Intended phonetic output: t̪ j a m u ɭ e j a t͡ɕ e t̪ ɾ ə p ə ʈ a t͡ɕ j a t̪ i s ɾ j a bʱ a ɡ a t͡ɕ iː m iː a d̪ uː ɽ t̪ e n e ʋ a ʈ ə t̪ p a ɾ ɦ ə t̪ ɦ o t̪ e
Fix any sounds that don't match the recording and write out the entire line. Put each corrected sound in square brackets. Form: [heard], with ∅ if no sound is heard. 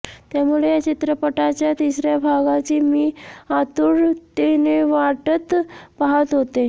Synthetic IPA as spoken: t̪ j a m u ɭ e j a t͡ɕ [i] t̪ ɾ ə p ə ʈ a t͡ɕ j a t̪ i s ɾ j a bʱ a ɡ a t͡ɕ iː m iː a [t̪] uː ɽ t̪ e n e ʋ a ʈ ə t̪ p a [∅] ɦ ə t̪ ɦ o t̪ e